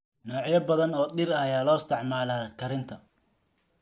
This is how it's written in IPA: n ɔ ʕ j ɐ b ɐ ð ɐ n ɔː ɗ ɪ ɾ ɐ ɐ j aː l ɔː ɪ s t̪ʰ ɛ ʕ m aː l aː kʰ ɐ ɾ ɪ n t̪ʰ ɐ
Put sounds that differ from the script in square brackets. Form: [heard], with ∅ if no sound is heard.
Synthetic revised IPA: n [ɔː] ʕ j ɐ b ɐ ð ɐ n ɔː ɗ ɪ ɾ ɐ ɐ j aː l ɔː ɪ s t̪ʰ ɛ ʕ m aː l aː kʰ ɐ ɾ ɪ n t̪ʰ ɐ